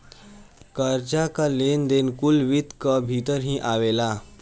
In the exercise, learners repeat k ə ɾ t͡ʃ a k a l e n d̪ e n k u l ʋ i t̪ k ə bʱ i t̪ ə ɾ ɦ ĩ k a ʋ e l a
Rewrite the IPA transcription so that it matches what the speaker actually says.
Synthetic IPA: k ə ɾ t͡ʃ a k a l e n d̪ e n k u l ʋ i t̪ k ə bʱ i t̪ ə ɾ ɦ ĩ ʔ a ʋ e l a